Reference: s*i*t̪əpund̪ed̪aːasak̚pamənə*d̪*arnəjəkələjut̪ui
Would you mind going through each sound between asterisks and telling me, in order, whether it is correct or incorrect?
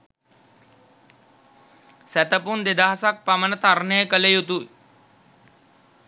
incorrect, incorrect

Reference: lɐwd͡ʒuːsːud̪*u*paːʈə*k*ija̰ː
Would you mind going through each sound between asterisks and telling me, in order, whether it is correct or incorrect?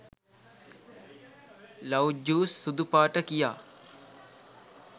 correct, correct

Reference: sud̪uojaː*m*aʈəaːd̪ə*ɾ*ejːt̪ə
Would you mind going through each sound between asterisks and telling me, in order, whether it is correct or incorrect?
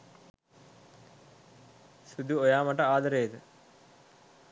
correct, correct

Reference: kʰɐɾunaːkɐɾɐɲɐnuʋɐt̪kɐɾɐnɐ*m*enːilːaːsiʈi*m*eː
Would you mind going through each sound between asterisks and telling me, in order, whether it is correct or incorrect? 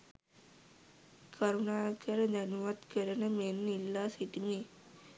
correct, correct

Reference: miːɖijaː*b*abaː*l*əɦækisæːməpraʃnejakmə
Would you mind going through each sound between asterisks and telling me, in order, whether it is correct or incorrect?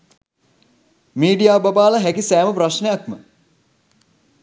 correct, correct

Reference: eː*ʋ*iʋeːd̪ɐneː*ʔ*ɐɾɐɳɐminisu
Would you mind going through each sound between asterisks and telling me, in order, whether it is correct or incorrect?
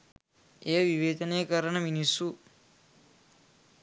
correct, incorrect

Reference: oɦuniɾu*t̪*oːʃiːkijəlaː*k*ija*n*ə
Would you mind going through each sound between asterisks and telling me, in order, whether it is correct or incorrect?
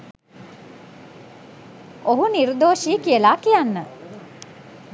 incorrect, correct, incorrect

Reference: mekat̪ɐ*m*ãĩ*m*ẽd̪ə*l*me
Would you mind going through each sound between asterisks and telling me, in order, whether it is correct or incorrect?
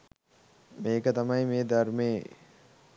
correct, correct, incorrect

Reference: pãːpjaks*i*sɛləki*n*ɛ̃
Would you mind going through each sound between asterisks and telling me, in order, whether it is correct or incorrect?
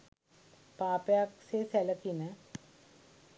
incorrect, correct

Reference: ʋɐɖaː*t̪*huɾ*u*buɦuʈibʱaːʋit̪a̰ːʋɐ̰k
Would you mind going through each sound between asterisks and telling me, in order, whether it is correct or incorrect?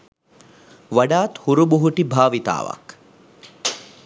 correct, correct

